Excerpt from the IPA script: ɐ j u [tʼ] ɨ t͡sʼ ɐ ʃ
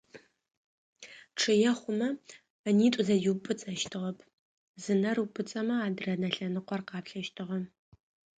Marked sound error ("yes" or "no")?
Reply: yes